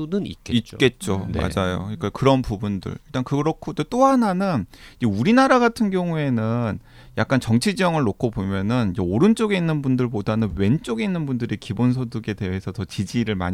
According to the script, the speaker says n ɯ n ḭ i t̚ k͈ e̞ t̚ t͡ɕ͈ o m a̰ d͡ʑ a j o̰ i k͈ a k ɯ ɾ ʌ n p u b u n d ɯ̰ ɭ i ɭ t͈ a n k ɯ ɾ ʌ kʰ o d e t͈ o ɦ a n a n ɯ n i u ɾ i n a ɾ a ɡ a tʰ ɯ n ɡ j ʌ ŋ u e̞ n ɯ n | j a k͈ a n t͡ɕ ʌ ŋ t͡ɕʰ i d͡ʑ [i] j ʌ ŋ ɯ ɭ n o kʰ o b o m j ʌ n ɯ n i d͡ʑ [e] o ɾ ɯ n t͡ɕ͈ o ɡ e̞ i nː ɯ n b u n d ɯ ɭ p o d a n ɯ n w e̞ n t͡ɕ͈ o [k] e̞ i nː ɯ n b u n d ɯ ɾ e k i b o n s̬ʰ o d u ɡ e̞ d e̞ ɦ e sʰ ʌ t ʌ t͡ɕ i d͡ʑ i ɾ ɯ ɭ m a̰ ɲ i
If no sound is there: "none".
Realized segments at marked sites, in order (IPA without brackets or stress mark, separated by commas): i, e, ɡ